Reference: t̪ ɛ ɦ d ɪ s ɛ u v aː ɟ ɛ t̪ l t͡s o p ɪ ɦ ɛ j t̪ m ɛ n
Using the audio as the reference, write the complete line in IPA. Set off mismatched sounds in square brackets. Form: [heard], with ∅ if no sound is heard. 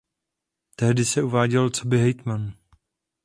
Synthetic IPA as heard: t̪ ɛ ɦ d ɪ s ɛ u v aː ɟ ɛ [∅] l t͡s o [b] ɪ ɦ ɛ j t̪ m [a] n